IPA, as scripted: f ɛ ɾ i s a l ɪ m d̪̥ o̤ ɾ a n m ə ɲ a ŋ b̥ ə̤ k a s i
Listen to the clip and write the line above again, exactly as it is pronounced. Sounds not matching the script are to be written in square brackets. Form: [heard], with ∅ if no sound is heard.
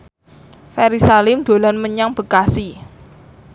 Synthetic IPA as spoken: f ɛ ɾ i s a l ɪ m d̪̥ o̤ [l] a n m ə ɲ a ŋ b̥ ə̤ k a s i